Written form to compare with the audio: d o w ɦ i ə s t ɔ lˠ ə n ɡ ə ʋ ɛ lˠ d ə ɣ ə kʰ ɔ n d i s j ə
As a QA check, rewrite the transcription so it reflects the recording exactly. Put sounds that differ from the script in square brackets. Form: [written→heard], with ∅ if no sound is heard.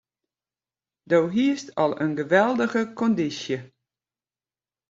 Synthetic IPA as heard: d o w ɦ i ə s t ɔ lˠ ə n ɡ ə ʋ ɛ lˠ d ə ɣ ə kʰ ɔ n d i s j ə